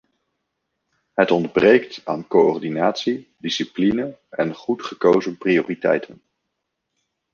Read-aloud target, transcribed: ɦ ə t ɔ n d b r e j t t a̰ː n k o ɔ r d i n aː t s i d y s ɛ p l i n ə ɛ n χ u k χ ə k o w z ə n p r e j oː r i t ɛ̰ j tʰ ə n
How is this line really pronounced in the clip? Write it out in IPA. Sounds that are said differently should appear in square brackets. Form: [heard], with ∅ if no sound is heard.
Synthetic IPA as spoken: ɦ ə t ɔ n d b r e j [k] t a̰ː n k o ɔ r d i n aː t s i d [i] s [i] p l i n ə ɛ n χ u [t] χ ə k o w z ə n p r [i] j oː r i t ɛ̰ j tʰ ə n